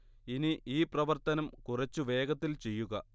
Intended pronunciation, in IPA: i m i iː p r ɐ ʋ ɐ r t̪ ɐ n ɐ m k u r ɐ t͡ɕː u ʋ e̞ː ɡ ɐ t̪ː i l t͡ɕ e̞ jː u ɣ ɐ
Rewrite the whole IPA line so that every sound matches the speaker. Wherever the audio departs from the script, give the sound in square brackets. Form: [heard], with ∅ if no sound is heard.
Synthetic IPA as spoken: i [n] i iː p r ɐ ʋ ɐ r t̪ ɐ n ɐ m k u r ɐ t͡ɕː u ʋ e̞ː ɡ ɐ t̪ː i l t͡ɕ e̞ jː u ɣ ɐ